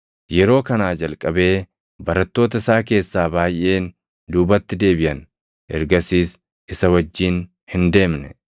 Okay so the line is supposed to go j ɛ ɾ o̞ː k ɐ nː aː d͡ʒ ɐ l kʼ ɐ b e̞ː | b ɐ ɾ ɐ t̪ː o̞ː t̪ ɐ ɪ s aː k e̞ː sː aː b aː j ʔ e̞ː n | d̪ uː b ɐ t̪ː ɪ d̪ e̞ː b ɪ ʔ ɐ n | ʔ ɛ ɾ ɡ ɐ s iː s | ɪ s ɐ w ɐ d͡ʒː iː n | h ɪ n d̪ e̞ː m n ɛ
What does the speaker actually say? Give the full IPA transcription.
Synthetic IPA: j ɛ ɾ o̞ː k ɐ n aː d͡ʒ ɐ l kʼ ɐ b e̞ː | b ɐ ɾ ɐ t̪ː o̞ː t̪ ɐ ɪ s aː k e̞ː sː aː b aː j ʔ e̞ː n | d̪ uː b ɐ t̪ː ɪ d̪ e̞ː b ɪ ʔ ɐ n | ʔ ɛ ɾ ɡ ɐ s iː s | ɪ s ɐ w ɐ d͡ʒː iː n | h ɪ n d̪ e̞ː m n ɛ

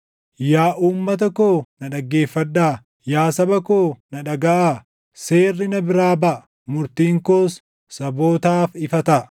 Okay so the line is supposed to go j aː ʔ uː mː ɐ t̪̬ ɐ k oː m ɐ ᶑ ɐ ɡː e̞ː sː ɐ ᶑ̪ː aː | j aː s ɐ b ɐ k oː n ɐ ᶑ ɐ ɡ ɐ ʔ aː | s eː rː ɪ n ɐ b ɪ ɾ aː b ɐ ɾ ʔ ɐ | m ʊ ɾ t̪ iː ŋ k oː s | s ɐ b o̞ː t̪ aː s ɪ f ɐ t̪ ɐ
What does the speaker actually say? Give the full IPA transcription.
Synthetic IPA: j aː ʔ uː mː ɐ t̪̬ ɐ k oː n ɐ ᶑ ɐ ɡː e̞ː fː ɐ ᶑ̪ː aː | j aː s ɐ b ɐ k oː n ɐ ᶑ ɐ ɡ ɐ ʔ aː | s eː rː ɪ n ɐ b ɪ ɾ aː b ɐ ʔ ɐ | m ʊ ɾ t̪ iː ŋ k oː s | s ɐ b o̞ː t̪ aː f ɪ f ɐ t̪ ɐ

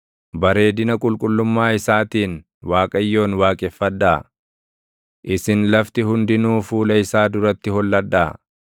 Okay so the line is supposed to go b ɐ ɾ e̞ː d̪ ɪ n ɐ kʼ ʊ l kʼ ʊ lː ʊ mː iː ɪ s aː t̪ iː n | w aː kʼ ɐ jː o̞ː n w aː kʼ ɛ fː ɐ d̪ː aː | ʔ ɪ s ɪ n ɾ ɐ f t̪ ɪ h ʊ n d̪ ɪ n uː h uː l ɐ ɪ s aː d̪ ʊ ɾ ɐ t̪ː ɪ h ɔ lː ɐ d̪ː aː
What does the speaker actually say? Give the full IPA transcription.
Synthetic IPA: b ɐ ɾ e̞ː d̪ ɪ n ɐ kʼ ʊ l kʼ ʊ lː ʊ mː aː ɪ s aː t̪ iː n | w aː kʼ ɐ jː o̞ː n w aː kʼ ɛ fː ɐ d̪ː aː | ʔ ɪ s ɪ n l ɐ f t̪ ɪ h ʊ n d̪ ɪ n uː f uː l ɐ ɪ s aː d̪ ʊ ɾ ɐ t̪ː ɪ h ɔ lː ɐ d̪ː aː

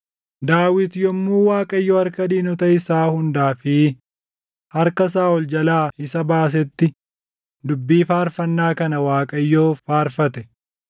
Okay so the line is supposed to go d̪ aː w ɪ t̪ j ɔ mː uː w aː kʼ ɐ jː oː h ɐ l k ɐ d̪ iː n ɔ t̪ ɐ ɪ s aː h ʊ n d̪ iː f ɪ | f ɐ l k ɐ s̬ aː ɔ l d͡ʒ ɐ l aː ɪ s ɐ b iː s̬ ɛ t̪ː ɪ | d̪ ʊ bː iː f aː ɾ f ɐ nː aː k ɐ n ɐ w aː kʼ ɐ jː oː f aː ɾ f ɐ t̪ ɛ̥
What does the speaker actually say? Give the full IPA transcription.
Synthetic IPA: d̪ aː w ɪ t̪ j ɔ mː uː w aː kʼ ɐ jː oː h ɐ ɾ k ɐ d̪ iː n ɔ t̪ ɐ ɪ s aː h ʊ n d̪ aː f ɪ | h ɐ ɾ k ɐ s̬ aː ɔ l d͡ʒ ɐ l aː ɪ s ɐ b aː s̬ ɛ t̪ː ɪ | d̪ ʊ bː iː f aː ɾ f ɐ nː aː k ɐ n ɐ w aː kʼ ɐ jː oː f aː ɾ f ɐ t̪ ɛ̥

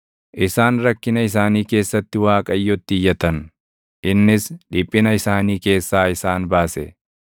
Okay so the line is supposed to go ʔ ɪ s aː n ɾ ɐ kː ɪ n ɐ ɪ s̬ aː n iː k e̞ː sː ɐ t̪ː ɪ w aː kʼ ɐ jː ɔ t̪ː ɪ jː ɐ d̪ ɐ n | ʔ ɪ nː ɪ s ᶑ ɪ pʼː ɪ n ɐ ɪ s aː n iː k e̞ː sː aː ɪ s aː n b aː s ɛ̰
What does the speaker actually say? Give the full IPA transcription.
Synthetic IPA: ʔ ɪ s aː n ɾ ɐ kː ɪ n ɐ ɪ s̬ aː n iː k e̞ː sː ɐ t̪ː ɪ w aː kʼ ɐ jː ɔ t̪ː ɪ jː ɐ t̪ ɐ n | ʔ ɪ nː ɪ s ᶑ ɪ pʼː ɪ n ɐ ɪ s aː n iː k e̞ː sː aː ɪ s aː n b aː s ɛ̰

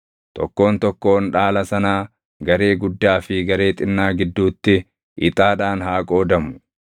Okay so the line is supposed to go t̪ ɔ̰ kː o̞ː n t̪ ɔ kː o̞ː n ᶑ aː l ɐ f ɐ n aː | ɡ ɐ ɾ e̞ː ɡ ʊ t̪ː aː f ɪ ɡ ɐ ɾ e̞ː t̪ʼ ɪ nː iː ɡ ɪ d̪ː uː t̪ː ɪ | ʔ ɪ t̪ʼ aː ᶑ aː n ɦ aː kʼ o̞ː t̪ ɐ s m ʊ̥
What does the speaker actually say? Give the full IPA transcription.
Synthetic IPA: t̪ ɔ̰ kː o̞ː n t̪ ɔ kː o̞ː n ᶑ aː l ɐ s ɐ n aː | ɡ ɐ ɾ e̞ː ɡ ʊ d̪ː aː f ɪ ɡ ɐ ɾ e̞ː t̪ʼ ɪ nː aː ɡ ɪ d̪ː uː t̪ː ɪ | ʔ ɪ t̪ʼ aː ᶑ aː n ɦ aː kʼ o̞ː d̪ ɐ m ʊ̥

